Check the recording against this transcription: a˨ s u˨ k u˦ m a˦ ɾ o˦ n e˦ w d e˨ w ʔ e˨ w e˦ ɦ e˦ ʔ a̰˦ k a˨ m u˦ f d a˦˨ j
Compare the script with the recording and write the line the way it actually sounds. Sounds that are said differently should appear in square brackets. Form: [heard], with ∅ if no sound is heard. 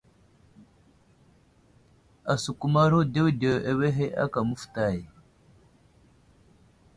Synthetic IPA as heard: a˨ s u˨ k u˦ m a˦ ɾ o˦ [d] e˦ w d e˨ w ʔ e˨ w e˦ ɦ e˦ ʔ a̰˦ k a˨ m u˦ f [t] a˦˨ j